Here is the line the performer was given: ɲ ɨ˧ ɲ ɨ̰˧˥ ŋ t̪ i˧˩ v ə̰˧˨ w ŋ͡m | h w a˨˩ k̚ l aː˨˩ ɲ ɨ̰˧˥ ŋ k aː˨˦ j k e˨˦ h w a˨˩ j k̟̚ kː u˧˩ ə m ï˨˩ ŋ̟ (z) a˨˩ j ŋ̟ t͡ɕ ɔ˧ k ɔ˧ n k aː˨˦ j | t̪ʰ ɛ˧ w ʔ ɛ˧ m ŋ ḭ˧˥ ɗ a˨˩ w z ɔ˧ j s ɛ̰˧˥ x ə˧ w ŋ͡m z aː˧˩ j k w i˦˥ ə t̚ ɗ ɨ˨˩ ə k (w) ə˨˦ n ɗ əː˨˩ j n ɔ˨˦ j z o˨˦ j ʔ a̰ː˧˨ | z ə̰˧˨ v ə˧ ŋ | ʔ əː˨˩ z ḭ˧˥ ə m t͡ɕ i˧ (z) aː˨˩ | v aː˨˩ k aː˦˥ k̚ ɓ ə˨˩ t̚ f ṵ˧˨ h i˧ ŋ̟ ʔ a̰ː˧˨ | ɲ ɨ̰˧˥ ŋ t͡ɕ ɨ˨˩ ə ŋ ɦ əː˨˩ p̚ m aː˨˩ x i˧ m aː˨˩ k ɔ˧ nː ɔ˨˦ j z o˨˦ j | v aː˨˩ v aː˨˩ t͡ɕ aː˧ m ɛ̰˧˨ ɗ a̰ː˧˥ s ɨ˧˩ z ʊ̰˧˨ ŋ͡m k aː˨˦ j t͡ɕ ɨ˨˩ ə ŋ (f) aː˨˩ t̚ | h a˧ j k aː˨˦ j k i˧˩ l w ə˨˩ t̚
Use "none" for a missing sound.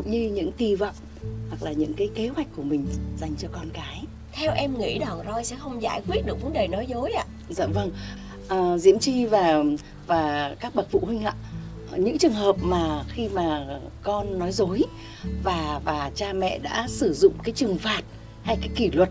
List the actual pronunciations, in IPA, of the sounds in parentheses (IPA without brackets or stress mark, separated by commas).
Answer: z, v, v, f